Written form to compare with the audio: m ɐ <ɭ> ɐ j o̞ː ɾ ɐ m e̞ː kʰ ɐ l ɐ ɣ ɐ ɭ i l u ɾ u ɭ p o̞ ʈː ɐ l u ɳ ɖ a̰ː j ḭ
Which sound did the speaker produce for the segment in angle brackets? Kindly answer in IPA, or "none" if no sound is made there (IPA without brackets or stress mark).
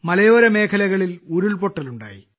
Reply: l